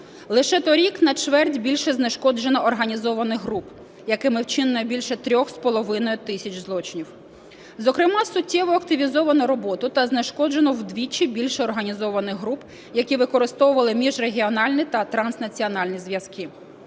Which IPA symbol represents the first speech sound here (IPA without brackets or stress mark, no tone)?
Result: lˠ